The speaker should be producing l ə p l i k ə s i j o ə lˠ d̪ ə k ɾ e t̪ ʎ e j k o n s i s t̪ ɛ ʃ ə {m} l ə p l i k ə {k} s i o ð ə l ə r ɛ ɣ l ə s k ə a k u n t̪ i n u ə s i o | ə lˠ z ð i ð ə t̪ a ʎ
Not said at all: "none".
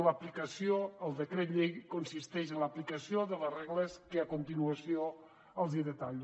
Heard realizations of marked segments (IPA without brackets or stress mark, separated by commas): n, none